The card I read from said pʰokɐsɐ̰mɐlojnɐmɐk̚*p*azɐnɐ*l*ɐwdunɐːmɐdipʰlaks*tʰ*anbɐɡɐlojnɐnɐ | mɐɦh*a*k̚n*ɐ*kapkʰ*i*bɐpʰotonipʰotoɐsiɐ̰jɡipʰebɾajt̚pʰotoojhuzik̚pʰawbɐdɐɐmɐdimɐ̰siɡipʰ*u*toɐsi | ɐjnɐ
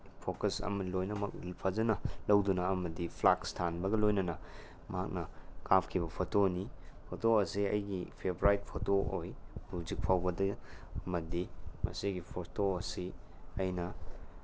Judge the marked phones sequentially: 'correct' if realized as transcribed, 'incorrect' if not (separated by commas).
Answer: incorrect, correct, correct, correct, correct, correct, incorrect